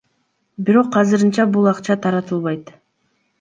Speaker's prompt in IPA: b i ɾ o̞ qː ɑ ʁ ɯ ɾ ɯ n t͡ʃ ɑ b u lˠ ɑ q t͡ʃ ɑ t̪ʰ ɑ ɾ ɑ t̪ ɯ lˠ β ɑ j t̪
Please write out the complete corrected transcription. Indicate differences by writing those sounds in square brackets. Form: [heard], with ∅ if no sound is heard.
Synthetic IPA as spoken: b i ɾ o̞ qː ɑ [z] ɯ ɾ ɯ n t͡ʃ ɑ b u lˠ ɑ q t͡ʃ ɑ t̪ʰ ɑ ɾ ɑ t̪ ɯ lˠ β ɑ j t̪